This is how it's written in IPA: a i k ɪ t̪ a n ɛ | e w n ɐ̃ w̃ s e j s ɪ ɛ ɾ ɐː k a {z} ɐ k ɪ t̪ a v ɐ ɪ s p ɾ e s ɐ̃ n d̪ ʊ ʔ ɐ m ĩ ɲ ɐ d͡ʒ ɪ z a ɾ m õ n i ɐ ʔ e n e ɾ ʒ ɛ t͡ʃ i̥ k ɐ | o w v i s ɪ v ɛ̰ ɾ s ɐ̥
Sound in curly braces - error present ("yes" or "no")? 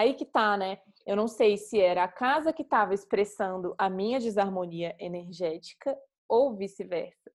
no